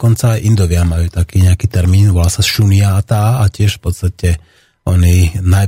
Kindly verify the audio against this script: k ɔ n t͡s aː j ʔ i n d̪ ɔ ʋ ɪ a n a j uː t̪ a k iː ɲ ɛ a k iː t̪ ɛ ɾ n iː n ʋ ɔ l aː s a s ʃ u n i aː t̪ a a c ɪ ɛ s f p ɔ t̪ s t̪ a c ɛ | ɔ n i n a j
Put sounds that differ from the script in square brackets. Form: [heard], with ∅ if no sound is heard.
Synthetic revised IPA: k ɔ n t͡s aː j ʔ i n d̪ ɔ ʋ ɪ a [m] a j uː t̪ a k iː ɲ ɛ a k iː t̪ ɛ ɾ [m] iː n ʋ ɔ l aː s a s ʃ u n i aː t̪ a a c ɪ ɛ [ʃ] f p ɔ t̪ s t̪ a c ɛ | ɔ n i n a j